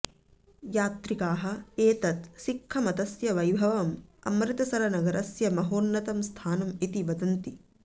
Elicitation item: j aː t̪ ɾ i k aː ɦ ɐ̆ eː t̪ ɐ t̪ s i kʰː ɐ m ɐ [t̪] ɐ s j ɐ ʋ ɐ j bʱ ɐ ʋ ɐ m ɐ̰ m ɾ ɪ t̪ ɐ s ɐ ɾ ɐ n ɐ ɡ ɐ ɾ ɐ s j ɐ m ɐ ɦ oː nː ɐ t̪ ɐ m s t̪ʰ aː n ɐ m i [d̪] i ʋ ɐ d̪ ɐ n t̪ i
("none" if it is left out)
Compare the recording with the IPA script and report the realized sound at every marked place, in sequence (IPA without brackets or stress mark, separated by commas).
t̪, t̪